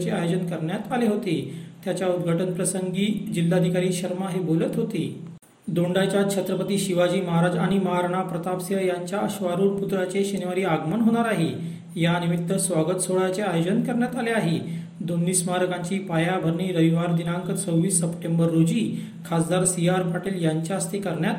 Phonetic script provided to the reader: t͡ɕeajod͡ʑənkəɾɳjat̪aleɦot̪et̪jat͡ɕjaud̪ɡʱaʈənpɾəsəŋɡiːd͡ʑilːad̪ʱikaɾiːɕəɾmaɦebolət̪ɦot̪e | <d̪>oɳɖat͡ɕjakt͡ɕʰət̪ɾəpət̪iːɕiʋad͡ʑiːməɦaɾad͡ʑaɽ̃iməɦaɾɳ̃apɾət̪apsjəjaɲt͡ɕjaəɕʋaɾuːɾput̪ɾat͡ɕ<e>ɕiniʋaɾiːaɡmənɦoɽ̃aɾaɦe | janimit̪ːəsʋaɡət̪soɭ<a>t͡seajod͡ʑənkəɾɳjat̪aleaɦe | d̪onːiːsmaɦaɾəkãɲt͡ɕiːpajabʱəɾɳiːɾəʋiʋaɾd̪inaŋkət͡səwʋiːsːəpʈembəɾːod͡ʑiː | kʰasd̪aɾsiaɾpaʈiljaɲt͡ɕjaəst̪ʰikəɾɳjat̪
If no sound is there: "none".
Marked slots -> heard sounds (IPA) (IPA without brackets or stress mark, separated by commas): d̪, e, a